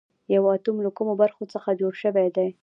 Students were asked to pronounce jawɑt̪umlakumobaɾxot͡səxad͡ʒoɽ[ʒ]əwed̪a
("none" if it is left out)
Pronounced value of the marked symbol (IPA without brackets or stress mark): ʃ